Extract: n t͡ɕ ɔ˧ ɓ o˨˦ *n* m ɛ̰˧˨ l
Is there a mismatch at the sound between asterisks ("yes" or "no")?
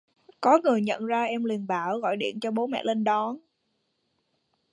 yes